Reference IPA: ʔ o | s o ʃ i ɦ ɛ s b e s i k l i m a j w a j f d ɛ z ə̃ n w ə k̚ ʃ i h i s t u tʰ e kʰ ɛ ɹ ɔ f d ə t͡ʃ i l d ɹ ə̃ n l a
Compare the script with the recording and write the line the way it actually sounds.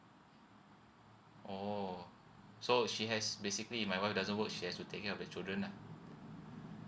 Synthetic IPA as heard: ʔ o | s o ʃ i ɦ ɛ s b e s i k l i m a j w a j f d a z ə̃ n w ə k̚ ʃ i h ɛ s t u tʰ e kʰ ɛ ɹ ɔ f d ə t͡ʃ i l d ɹ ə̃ n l a